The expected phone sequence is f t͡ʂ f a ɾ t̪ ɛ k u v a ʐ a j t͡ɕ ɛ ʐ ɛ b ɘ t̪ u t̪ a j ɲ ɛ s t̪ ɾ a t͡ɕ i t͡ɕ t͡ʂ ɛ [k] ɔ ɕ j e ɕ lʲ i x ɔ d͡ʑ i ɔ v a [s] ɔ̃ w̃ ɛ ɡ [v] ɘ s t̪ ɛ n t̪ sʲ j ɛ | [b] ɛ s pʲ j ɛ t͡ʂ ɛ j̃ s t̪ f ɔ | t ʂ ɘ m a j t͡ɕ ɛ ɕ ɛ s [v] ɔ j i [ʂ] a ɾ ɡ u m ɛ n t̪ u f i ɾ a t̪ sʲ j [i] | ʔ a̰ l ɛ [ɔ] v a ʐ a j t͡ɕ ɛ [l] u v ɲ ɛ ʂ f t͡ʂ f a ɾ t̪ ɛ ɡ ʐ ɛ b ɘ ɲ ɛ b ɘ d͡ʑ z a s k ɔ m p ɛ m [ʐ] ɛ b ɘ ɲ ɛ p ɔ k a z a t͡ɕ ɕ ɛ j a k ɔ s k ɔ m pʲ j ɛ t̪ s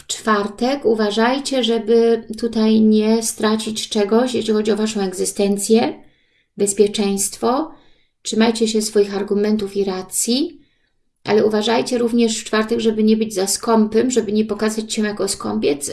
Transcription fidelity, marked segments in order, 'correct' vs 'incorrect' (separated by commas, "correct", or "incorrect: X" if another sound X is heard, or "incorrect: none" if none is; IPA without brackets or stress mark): incorrect: ɡ, incorrect: ʂ, incorrect: z, correct, incorrect: f, incorrect: x, correct, incorrect: u, incorrect: ɾ, correct